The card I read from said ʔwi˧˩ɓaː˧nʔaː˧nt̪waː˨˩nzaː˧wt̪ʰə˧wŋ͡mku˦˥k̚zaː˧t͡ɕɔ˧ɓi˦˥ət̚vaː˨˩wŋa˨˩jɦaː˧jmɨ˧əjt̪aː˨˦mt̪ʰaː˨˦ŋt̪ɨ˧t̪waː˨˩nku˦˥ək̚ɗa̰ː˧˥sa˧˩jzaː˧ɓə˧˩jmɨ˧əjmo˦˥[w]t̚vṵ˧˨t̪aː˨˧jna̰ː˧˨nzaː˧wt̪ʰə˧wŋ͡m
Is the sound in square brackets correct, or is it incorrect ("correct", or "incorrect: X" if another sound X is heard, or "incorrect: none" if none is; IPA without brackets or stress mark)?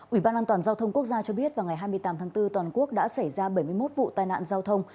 incorrect: none